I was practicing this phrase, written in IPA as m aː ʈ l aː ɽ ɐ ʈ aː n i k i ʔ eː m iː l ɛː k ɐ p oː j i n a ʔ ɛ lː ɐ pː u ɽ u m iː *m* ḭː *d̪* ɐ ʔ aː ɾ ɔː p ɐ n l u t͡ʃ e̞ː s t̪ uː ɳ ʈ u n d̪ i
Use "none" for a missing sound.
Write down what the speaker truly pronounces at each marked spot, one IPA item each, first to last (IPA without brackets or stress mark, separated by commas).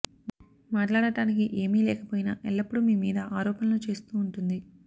m, d̪